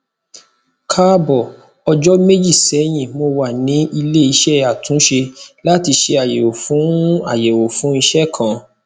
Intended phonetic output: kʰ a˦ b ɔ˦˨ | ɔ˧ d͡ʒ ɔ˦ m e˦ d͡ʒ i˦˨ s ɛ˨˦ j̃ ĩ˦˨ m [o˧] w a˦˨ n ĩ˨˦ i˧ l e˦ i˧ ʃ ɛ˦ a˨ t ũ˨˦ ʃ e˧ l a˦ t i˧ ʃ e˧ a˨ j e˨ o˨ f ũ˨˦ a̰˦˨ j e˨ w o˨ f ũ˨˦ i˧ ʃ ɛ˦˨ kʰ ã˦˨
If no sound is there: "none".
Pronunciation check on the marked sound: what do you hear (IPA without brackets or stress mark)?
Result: o˧